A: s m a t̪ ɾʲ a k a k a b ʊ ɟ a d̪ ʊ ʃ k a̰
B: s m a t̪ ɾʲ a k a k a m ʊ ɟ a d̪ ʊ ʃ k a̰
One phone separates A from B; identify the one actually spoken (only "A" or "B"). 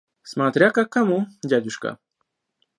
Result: B